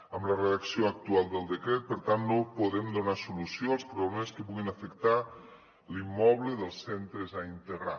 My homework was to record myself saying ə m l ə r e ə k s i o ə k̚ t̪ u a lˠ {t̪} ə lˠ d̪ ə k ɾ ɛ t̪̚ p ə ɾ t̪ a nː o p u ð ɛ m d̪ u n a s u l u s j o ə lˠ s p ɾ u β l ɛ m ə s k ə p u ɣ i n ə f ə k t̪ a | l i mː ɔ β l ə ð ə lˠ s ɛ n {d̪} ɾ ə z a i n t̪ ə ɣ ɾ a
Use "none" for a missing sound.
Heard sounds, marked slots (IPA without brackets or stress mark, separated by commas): d̪, t̪